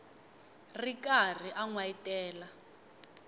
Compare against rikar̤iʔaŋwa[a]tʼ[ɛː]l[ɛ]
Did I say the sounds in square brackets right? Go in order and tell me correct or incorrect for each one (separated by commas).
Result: incorrect, correct, incorrect